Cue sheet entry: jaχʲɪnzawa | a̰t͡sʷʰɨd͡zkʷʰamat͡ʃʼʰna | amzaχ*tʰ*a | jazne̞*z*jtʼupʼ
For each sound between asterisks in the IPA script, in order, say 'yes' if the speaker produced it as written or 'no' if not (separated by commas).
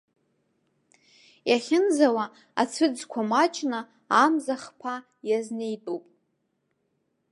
no, no